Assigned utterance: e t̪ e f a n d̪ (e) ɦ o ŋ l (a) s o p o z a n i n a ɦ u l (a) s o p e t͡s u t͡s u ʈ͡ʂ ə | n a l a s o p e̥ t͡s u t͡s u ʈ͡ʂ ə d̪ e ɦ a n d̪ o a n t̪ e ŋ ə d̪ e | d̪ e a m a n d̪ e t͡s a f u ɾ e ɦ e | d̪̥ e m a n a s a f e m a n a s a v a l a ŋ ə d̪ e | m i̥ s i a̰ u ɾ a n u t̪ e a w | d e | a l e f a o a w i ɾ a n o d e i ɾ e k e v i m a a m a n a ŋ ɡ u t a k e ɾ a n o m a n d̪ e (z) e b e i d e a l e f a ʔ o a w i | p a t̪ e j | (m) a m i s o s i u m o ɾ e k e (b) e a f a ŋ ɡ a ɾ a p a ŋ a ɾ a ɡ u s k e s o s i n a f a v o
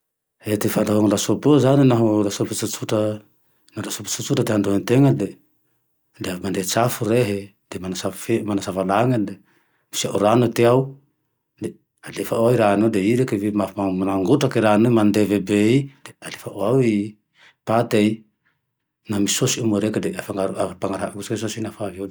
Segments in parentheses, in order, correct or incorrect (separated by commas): incorrect, correct, correct, incorrect, incorrect, incorrect